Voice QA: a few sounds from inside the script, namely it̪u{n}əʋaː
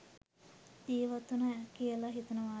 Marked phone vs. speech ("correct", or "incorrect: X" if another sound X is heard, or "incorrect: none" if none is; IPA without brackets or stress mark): correct